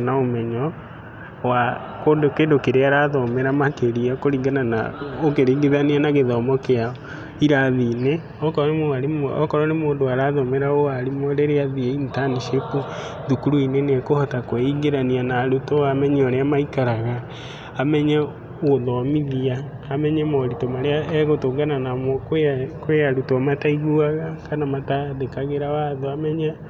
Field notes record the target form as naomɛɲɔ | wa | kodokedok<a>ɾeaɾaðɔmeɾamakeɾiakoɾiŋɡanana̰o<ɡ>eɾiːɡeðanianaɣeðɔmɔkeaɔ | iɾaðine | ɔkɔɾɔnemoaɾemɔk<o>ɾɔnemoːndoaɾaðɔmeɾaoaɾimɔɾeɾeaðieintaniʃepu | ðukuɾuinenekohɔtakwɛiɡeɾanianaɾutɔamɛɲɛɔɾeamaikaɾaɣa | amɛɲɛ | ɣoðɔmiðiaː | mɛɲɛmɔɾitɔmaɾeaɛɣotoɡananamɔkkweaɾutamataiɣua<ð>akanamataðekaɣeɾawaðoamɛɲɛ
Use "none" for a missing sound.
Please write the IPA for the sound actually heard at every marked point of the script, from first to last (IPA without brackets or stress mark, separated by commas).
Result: e, k, ɔ, ɣ